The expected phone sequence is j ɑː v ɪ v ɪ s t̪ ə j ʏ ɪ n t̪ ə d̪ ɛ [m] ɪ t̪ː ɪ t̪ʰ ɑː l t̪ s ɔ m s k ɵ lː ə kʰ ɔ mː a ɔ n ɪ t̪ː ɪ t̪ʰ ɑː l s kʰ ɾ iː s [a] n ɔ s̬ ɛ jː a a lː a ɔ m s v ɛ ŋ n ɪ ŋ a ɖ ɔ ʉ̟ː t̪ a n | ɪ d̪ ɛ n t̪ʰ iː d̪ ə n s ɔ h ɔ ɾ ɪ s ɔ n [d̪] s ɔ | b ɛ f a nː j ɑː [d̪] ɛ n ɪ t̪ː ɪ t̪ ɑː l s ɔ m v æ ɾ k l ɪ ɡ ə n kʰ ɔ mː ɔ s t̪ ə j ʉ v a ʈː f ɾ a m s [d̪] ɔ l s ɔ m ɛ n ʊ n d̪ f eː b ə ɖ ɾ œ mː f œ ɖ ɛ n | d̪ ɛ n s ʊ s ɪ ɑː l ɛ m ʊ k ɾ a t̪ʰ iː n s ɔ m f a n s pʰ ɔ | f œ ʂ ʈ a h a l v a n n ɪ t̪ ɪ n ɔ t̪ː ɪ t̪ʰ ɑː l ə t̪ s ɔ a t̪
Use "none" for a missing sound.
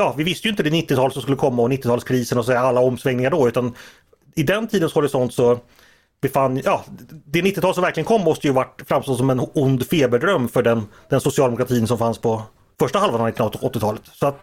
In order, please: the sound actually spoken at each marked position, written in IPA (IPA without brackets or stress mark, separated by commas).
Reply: n, ə, t̪, d̪, t̪